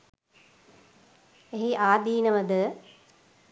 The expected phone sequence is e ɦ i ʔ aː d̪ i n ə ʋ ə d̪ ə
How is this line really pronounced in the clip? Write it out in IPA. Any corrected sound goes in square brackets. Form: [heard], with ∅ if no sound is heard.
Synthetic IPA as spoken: e ɦ i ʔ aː d̪ [iː] n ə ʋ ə d̪ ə